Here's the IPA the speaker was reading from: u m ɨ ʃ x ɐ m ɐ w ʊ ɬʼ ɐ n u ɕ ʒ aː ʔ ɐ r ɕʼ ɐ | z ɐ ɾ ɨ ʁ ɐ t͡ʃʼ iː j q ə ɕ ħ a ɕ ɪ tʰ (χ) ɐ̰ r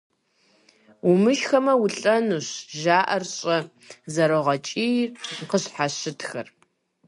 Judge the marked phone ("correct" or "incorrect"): incorrect